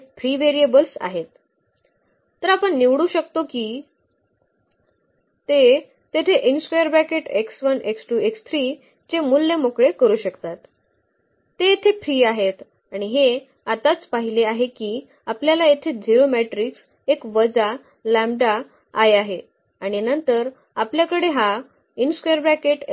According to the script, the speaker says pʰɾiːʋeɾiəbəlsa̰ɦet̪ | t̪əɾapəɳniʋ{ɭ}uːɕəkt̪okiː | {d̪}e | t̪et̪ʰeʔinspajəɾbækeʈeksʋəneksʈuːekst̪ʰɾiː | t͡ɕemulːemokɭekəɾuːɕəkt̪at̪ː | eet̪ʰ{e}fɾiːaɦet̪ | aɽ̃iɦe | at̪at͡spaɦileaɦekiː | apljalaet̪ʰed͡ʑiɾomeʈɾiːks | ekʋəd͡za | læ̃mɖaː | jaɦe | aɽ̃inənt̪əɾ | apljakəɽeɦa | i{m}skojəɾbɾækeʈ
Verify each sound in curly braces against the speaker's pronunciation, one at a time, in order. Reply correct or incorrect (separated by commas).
incorrect, incorrect, correct, incorrect